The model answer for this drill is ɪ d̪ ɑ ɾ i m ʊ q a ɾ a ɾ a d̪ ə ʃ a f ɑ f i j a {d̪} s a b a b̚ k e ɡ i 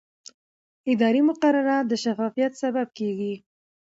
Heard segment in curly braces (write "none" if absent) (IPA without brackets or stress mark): t̪